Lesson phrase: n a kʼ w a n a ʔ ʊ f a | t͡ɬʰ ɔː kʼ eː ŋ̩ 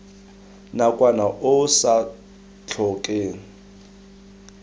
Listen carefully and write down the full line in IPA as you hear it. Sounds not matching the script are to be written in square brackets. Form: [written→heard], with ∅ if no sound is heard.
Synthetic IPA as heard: n a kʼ w a n a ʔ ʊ [f→s] a | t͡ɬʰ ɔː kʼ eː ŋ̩